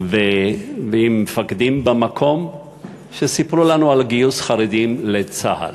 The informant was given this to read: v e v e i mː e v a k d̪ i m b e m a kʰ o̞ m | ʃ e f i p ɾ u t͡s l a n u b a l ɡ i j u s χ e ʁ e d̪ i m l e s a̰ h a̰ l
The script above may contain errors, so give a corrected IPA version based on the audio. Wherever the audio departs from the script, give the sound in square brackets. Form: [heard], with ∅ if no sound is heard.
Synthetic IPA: v e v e i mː e [f] a k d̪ i m b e m a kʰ o̞ m | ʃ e [s] i p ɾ u [∅] l a n u [∅] a l ɡ i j u s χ [a] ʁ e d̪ i m l e [t͡s] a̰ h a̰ l